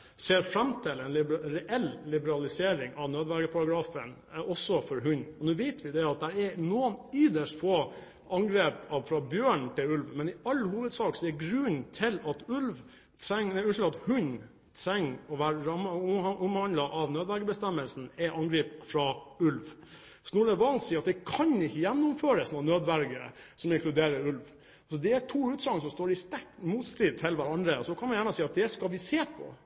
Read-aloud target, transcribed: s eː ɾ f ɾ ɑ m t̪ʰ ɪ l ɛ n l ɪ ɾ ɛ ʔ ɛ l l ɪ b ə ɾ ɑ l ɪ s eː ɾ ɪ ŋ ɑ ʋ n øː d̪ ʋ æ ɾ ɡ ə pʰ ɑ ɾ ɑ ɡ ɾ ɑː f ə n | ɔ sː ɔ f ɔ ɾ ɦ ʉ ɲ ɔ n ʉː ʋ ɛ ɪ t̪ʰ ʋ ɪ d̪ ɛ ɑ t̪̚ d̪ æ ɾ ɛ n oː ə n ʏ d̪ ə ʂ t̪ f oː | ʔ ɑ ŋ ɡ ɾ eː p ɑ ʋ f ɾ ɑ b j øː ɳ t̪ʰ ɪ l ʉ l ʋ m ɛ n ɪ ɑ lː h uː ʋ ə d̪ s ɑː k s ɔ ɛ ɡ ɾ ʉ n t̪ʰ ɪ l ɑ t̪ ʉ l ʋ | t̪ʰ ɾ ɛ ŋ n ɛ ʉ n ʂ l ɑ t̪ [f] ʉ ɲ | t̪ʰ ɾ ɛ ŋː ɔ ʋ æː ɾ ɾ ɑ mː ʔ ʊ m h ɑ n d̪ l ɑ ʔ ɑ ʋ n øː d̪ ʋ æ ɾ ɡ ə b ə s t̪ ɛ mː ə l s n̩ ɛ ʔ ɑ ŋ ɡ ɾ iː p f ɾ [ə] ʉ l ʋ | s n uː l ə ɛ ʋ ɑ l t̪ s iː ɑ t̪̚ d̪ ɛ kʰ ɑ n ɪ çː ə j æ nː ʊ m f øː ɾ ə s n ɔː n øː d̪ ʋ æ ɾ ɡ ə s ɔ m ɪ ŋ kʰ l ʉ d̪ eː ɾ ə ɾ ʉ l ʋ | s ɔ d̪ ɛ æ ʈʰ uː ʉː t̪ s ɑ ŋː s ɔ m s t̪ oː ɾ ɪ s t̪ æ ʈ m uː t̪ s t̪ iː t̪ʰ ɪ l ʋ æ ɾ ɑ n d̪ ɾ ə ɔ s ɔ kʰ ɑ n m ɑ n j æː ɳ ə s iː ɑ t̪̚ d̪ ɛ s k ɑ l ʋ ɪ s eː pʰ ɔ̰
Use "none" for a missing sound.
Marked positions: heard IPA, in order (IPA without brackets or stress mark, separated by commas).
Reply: h, ɑ